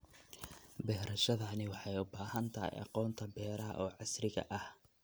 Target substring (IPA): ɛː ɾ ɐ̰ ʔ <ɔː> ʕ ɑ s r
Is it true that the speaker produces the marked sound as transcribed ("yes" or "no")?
yes